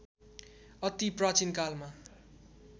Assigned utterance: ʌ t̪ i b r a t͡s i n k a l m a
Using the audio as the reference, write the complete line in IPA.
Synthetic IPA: ʌ t̪ i p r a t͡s i n k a l m a